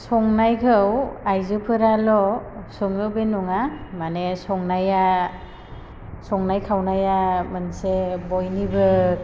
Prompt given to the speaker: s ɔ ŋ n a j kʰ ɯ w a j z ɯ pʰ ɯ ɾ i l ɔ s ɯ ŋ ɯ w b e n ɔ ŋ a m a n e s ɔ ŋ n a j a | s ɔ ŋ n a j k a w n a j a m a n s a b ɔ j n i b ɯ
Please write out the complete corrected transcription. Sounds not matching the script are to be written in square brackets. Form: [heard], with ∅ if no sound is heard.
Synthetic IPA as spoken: s ɔ ŋ n a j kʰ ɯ w a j z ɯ pʰ ɯ ɾ [a] l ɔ s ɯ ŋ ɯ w b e n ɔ ŋ a m a n e s ɔ ŋ n a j a | s ɔ ŋ n a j [kʰ] a w n a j a m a n s [e] b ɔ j n i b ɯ